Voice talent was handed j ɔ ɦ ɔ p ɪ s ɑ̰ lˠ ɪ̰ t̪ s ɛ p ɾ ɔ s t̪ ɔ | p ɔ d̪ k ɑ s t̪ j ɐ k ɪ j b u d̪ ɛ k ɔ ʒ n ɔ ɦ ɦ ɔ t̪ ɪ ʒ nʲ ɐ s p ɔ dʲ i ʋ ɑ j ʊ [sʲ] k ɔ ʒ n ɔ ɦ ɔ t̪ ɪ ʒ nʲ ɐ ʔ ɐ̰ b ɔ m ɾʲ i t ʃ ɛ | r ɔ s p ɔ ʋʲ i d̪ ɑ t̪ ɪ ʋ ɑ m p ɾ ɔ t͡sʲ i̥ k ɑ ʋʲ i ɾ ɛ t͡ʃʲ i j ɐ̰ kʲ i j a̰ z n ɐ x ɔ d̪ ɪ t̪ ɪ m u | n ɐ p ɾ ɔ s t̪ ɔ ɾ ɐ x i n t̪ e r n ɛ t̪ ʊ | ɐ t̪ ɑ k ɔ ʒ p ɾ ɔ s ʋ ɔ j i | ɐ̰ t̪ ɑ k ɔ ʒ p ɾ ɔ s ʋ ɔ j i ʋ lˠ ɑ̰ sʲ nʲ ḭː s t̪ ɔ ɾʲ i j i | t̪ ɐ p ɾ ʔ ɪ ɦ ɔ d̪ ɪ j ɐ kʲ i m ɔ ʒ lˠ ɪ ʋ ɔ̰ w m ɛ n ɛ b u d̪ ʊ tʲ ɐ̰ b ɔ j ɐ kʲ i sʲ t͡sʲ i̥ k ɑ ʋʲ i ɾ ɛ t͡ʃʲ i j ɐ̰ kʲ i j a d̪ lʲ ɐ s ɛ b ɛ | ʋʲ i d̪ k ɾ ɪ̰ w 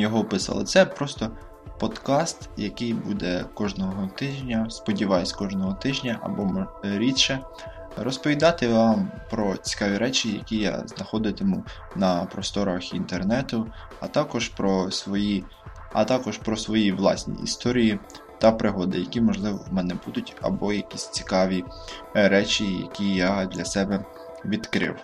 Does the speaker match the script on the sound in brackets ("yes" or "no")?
yes